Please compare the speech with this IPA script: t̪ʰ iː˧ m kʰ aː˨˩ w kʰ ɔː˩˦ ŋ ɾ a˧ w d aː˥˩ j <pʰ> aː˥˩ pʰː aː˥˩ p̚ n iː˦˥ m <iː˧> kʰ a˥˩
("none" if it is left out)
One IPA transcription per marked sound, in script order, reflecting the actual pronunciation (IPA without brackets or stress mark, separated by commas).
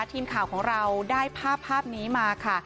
pʰ, aː˧